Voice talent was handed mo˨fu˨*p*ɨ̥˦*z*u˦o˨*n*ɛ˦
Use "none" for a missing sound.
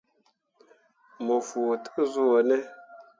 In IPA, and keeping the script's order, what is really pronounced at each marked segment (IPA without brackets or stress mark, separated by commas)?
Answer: t, z, n